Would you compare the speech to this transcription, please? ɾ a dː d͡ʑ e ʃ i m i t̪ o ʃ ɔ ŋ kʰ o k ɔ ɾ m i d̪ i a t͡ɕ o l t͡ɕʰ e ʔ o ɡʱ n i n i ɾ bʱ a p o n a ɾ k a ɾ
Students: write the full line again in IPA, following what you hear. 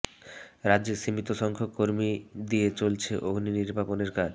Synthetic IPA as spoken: ɾ a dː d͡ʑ e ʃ i m i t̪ o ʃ ɔ ŋ kʰ o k o ɾ m i d̪ i e t͡ɕ o l t͡ɕʰ e ʔ o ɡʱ n i n i ɾ bʱ a p o n e ɾ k a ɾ